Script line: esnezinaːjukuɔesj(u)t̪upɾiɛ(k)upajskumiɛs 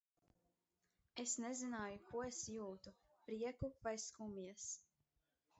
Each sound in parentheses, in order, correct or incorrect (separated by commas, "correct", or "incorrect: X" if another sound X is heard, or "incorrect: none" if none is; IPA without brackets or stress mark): incorrect: uː, correct